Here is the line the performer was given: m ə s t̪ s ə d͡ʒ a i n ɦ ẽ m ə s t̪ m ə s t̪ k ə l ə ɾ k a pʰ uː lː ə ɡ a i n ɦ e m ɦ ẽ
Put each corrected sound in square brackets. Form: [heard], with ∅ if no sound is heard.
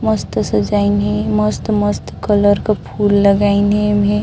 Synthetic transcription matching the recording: m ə s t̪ s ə d͡ʒ a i n ɦ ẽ m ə s t̪ m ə s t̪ k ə l ə ɾ k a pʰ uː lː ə ɡ a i n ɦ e m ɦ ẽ